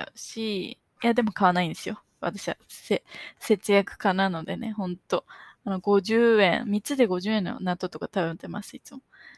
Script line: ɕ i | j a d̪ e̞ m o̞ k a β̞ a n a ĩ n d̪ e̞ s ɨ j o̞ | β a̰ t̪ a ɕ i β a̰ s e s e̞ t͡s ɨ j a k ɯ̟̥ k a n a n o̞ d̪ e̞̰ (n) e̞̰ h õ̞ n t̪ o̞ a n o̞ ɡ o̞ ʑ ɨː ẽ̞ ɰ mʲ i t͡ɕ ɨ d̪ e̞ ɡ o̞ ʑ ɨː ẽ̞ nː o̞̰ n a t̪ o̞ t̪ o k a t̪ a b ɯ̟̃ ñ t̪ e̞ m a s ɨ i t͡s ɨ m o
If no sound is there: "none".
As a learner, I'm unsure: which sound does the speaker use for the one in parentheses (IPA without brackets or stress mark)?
n